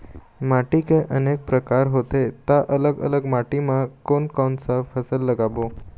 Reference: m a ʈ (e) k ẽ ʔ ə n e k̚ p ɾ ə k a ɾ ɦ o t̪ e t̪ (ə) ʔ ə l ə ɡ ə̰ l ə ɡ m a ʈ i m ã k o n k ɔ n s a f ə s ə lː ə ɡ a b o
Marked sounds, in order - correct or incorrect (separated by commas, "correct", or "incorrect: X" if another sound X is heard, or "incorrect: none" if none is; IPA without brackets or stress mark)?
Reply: incorrect: i, incorrect: a